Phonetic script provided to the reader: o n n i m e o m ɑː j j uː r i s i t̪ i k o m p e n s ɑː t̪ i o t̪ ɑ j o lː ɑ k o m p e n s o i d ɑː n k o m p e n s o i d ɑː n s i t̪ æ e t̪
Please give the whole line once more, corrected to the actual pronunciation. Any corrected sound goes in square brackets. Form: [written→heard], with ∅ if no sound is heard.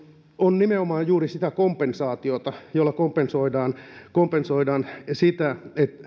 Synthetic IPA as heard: o n n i m e o m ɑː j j uː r i s i t̪ [i→æ] k o m p e n s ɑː t̪ i o t̪ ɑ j o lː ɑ k o m p e n s o i d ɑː n k o m p e n s o i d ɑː n s i t̪ æ e t̪